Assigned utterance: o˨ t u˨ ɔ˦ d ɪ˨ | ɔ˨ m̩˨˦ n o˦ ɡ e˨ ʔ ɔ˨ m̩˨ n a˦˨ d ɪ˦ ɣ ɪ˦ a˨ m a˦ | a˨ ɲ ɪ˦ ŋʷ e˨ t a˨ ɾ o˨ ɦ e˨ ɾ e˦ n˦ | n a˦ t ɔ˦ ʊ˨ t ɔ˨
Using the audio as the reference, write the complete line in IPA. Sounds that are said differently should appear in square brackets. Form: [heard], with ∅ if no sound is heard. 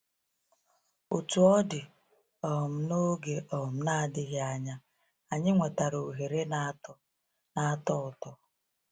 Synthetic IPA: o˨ t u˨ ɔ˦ d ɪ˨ | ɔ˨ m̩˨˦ n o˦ ɡ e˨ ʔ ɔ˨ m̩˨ n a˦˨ d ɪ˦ ɣ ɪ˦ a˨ [ɲ] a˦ | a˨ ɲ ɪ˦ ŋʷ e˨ t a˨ ɾ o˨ ɦ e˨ ɾ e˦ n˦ | n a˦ t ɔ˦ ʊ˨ t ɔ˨

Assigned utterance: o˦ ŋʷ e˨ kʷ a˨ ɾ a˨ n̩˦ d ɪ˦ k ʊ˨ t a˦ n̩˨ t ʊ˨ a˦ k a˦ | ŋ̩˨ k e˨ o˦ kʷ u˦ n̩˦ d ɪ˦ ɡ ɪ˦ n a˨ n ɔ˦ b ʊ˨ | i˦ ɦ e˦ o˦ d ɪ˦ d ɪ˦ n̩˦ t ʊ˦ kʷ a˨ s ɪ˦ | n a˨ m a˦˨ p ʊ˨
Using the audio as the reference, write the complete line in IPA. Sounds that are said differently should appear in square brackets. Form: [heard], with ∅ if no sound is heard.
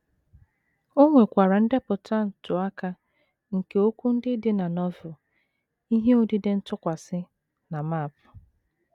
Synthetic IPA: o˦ ŋʷ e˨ kʷ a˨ ɾ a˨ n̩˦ d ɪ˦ [p] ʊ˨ t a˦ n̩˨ t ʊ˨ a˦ k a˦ | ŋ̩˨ k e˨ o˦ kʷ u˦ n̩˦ d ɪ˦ [d] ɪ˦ n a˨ n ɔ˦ [v] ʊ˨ | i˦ ɦ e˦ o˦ d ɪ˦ d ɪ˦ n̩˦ t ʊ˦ kʷ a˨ s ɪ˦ | n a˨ m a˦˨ p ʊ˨

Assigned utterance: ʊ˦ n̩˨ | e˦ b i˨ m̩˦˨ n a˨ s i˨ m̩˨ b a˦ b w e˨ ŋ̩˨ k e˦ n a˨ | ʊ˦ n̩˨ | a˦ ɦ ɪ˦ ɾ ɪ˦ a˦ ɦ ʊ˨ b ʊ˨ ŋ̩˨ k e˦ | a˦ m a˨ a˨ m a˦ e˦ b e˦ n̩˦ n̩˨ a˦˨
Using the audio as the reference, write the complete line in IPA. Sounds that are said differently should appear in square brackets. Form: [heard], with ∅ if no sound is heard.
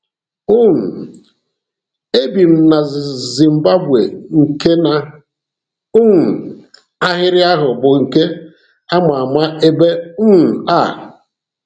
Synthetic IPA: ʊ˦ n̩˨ | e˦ b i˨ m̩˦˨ n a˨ [z] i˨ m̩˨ b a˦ b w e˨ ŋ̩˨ k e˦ n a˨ | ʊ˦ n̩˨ | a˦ ɦ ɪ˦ ɾ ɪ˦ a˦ ɦ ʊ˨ b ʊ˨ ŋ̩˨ k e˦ | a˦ m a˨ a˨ m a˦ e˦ b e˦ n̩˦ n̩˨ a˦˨

